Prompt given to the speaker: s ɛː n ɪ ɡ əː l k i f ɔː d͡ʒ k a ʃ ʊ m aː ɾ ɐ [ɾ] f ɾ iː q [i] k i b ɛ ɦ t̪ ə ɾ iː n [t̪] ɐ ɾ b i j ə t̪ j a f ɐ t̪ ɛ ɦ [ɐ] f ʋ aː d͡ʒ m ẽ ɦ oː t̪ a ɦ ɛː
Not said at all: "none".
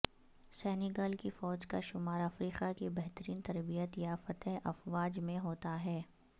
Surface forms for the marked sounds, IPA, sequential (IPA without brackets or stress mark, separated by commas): none, a, t̪, ɐ